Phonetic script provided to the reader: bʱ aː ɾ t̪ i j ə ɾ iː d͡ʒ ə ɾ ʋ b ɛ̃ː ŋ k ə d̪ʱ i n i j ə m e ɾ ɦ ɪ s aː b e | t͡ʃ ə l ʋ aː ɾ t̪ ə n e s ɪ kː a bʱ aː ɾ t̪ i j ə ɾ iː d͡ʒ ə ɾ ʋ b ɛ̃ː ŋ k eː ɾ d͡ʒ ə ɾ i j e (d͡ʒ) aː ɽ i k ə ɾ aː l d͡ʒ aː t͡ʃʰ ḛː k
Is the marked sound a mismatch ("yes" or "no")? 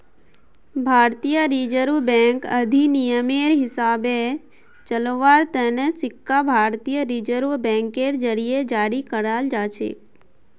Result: no